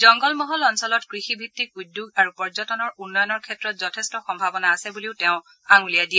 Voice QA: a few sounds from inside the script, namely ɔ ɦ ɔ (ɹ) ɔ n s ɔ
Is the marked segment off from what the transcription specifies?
yes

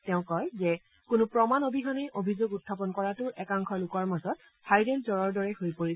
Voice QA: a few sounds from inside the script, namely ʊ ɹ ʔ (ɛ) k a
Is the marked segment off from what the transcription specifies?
no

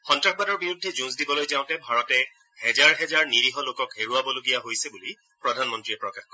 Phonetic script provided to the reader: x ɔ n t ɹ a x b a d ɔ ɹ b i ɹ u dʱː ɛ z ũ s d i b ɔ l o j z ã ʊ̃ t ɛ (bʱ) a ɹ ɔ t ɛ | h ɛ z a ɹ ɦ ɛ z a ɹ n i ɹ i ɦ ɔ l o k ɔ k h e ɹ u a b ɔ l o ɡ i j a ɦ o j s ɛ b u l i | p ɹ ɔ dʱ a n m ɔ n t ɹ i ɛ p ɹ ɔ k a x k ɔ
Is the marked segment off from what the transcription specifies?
no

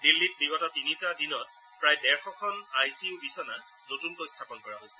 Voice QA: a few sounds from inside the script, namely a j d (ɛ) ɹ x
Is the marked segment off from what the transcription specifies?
no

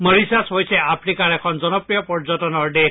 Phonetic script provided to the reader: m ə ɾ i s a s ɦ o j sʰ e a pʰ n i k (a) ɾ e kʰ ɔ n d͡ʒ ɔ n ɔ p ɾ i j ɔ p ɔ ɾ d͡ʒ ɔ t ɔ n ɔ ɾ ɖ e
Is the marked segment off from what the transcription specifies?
no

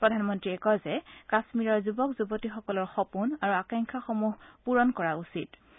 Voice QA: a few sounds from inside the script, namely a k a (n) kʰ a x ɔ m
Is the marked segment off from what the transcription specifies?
yes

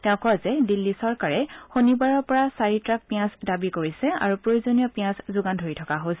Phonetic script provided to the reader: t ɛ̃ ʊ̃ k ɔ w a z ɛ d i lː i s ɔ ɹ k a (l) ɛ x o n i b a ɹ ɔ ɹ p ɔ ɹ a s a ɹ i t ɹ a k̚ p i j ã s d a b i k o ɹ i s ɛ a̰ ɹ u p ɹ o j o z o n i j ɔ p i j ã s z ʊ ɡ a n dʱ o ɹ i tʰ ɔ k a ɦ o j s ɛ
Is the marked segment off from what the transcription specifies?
yes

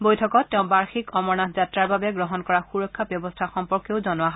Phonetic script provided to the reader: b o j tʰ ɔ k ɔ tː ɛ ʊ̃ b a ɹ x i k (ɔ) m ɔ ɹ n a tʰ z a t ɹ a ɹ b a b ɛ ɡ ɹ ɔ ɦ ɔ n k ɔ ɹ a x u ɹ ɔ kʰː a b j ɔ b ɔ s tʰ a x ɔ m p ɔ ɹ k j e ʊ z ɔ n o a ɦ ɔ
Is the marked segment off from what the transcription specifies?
no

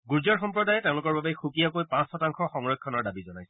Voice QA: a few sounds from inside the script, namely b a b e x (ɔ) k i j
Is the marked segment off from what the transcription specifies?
yes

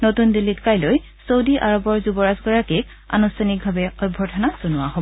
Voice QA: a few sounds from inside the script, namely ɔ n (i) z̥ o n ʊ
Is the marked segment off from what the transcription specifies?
yes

